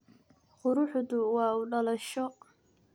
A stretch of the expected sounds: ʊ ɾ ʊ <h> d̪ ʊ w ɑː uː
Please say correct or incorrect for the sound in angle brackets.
incorrect